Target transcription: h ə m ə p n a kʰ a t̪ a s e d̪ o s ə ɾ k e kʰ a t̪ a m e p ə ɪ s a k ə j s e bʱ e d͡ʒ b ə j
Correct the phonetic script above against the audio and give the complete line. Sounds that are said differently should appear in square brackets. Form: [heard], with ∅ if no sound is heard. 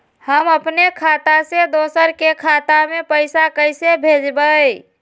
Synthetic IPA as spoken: h ə m ə p n [e] kʰ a t̪ a s e d̪ o s ə ɾ k e kʰ a t̪ a m e p ə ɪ s a k ə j s e bʱ e d͡ʒ b ə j